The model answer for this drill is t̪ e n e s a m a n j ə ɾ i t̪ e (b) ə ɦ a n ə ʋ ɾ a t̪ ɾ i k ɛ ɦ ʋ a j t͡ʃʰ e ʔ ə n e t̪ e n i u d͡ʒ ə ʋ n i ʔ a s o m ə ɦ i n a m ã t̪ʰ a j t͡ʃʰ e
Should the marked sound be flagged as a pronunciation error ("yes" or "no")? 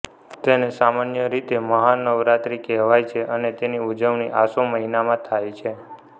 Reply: yes